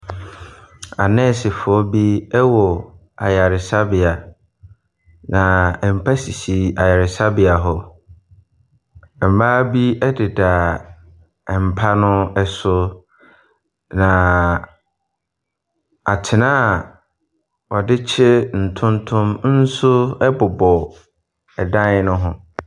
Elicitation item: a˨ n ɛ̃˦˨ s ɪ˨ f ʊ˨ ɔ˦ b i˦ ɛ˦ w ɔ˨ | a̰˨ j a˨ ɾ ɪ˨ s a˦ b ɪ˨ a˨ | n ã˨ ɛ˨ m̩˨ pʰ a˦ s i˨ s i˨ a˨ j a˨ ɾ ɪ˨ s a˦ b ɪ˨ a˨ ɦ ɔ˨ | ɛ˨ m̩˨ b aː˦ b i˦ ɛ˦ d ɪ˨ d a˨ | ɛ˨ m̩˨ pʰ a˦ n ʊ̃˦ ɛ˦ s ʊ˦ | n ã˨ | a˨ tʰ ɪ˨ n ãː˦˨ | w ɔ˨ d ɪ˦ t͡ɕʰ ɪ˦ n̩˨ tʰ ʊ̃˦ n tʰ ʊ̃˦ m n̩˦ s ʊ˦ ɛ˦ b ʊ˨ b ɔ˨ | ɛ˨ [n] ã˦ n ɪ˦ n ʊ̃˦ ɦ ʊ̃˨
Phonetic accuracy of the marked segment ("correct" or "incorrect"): incorrect